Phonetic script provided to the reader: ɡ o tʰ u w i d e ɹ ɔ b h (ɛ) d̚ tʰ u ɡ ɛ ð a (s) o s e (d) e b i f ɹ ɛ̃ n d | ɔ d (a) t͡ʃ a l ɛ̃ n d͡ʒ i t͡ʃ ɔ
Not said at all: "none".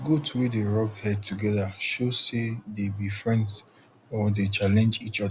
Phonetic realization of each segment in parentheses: ɛ, ʃ, d, e

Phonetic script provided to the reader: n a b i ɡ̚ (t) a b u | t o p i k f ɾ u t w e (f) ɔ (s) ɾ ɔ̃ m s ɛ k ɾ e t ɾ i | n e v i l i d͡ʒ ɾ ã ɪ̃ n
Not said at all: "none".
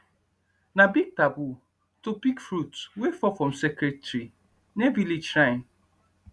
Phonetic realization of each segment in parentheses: t, f, f

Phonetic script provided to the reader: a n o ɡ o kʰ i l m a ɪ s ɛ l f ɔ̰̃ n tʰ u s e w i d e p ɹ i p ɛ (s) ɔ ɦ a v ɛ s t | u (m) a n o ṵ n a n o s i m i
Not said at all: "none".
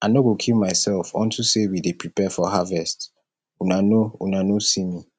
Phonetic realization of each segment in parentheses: f, n

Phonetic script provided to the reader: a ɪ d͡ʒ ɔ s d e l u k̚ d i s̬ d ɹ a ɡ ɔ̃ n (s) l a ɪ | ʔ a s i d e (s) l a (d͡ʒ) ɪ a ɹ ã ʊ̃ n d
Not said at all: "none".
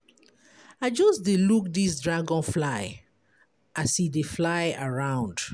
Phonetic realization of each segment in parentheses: f, f, none

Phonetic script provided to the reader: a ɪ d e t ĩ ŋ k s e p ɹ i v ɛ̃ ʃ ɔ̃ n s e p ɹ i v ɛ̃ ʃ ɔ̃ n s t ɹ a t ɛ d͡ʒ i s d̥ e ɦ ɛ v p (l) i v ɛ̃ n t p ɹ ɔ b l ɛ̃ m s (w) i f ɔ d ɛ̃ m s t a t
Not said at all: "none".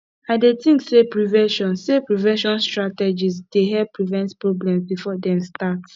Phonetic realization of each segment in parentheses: ɹ, b

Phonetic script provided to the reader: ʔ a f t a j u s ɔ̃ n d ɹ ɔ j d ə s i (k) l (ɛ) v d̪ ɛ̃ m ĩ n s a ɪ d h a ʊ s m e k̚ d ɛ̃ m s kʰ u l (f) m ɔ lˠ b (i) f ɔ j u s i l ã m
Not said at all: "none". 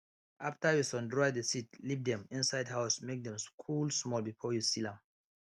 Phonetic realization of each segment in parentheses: t, i, s, i

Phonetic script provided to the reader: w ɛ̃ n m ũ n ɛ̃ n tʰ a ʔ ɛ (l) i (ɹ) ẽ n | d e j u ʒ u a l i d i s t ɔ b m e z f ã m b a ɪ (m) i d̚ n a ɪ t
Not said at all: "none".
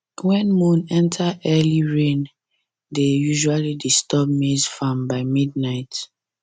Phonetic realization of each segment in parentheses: l, ɹ, m

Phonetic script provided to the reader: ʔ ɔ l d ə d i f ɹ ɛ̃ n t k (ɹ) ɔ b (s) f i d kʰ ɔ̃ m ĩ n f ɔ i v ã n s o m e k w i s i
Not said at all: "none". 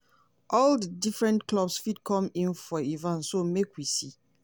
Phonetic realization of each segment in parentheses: l, s

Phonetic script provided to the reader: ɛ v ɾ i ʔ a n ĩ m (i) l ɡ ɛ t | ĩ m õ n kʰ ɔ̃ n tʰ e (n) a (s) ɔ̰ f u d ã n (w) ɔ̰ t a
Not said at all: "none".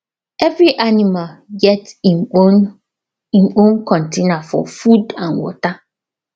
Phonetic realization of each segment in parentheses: a, n, f, w

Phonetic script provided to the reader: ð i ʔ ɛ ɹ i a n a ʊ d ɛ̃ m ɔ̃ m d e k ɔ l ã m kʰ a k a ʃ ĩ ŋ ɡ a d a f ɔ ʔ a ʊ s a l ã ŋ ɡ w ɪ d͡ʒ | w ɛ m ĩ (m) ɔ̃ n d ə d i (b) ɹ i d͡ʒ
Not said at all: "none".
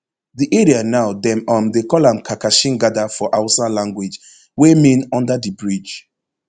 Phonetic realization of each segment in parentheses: n, b

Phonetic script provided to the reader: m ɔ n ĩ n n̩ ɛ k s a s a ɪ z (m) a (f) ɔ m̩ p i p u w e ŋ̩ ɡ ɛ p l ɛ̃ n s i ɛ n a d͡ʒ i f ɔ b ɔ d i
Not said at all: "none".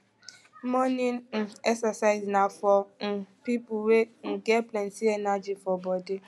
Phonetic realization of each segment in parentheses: n, f

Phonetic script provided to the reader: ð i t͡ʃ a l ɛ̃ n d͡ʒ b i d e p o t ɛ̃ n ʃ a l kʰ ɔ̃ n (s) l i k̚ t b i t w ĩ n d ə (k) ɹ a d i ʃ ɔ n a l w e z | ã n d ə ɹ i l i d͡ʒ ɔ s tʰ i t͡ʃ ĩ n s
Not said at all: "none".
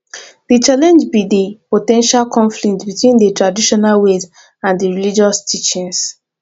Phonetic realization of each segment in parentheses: f, t

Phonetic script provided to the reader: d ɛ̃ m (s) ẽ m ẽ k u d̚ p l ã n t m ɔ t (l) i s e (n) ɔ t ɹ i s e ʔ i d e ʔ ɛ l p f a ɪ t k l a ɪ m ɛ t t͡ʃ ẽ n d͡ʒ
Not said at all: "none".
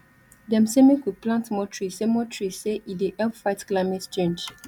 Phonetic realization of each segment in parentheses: s, ɹ, m

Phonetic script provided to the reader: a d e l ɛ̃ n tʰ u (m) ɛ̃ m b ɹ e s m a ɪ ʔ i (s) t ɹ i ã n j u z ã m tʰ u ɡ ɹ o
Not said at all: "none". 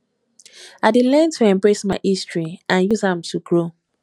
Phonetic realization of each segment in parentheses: none, s

